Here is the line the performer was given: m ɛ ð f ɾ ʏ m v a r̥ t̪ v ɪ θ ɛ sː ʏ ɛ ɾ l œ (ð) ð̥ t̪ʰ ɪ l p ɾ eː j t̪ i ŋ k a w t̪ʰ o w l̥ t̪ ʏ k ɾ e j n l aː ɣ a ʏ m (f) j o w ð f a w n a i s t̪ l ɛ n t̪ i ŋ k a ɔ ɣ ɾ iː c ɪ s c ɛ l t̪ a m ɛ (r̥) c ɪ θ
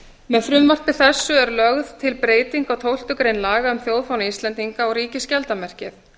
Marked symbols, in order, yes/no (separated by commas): no, no, yes